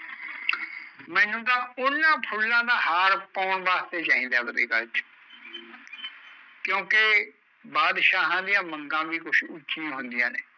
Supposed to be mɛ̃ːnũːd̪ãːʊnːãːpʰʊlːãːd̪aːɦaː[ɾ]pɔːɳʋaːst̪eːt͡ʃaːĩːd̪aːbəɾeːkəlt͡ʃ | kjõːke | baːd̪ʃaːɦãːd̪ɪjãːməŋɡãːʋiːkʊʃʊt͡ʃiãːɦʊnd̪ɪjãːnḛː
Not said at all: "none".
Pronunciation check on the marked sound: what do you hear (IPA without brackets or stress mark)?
ɾ